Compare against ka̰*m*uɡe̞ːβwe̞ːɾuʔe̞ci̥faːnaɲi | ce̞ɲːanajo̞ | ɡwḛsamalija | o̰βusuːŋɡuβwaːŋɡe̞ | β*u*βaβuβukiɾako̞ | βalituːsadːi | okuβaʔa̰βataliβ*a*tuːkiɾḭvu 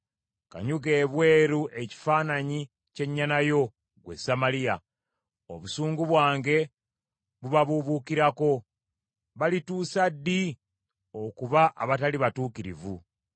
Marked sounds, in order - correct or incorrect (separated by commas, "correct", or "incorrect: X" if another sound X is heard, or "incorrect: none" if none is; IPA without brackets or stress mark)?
incorrect: ɲ, correct, correct